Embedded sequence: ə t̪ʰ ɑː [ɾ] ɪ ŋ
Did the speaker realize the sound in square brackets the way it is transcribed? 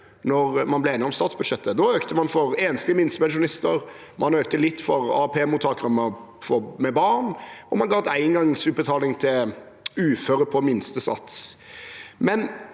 no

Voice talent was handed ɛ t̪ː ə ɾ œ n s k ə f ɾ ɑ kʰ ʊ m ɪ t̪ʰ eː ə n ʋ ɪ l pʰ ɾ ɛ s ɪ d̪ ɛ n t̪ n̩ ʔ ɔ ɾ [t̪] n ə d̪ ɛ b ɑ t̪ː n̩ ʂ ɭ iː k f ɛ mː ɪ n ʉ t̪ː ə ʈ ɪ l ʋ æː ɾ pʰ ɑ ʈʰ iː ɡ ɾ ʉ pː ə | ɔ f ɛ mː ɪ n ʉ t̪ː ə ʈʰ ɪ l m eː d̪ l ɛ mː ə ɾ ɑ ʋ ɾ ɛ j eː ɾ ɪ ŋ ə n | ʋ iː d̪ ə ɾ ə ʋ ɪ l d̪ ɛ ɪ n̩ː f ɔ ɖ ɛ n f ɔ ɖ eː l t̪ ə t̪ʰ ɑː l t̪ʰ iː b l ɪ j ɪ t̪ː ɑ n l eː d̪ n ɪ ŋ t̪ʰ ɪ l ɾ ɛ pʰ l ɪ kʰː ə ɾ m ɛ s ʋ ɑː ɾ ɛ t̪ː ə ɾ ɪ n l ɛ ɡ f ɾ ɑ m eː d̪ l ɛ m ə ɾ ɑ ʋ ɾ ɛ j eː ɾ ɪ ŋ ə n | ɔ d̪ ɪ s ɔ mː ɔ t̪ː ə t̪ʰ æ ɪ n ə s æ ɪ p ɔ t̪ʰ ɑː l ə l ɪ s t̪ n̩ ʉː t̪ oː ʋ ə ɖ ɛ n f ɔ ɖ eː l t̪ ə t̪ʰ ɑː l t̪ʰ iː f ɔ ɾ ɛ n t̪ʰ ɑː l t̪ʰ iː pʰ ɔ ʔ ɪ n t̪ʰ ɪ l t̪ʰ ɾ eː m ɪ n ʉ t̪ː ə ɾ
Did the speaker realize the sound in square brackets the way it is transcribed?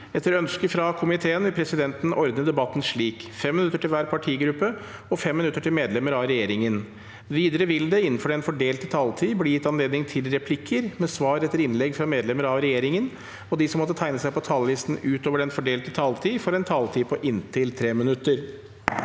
no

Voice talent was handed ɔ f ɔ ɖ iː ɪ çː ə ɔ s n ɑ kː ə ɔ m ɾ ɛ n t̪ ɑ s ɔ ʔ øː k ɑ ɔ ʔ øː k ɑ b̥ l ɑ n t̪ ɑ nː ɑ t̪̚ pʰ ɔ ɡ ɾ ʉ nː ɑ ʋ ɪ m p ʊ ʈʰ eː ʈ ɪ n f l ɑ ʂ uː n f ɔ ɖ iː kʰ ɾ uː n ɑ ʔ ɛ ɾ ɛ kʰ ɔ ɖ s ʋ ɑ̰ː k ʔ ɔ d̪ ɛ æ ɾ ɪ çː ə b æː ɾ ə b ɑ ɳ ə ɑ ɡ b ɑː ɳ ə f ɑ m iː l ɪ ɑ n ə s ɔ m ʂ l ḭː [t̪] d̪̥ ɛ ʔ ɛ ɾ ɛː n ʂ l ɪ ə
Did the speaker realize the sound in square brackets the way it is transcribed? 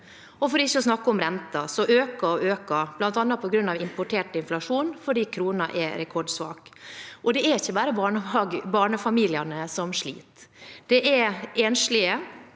yes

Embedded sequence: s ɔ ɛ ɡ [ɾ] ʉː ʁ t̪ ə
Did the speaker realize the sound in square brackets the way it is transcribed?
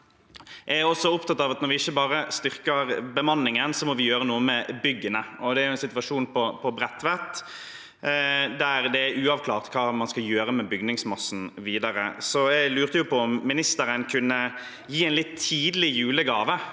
no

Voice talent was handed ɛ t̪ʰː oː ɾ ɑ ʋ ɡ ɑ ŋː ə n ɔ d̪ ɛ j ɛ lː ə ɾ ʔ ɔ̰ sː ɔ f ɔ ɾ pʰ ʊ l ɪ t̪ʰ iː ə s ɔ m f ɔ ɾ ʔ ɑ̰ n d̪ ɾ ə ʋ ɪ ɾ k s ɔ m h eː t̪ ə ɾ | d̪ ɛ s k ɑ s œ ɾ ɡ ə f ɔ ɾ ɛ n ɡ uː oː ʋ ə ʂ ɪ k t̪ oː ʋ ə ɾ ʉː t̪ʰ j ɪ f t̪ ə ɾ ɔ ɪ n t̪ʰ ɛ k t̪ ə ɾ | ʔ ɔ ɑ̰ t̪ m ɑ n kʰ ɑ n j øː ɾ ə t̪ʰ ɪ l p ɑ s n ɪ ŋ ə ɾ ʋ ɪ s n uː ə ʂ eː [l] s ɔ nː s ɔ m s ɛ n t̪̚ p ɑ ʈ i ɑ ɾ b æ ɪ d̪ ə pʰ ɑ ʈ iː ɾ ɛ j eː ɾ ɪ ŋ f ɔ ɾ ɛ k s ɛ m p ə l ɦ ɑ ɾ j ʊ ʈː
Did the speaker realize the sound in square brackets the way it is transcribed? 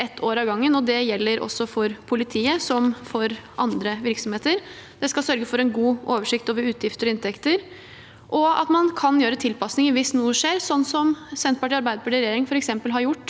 no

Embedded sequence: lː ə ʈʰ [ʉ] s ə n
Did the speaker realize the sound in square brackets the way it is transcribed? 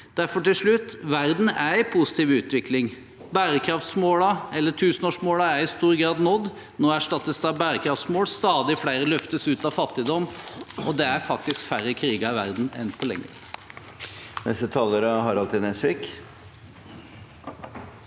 no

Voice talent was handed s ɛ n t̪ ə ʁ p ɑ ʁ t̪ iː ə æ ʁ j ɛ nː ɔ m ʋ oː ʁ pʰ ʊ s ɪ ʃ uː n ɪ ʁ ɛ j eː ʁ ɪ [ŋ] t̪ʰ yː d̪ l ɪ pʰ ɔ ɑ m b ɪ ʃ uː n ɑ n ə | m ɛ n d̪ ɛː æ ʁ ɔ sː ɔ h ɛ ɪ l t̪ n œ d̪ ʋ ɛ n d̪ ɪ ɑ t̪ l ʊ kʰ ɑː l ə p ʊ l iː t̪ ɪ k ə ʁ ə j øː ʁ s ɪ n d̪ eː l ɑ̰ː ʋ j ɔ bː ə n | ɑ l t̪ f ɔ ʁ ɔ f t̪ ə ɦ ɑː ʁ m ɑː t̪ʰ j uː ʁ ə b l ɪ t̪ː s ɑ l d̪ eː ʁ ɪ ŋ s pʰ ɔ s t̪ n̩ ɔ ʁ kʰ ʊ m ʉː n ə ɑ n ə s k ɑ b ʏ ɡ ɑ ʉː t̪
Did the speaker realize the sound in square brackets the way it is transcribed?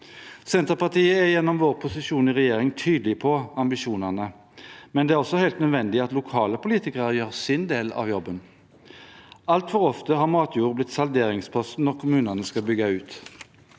yes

